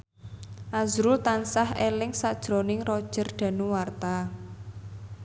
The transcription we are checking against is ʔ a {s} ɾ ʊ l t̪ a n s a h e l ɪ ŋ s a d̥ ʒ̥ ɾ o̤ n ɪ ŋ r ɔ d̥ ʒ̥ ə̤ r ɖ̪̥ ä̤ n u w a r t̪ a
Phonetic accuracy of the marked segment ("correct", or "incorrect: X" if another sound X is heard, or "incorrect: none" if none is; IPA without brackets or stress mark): incorrect: z